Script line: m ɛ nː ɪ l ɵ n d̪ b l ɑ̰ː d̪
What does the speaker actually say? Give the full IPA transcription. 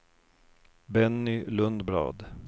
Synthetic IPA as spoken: b ɛ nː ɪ l ɵ n d̪ b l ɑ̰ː d̪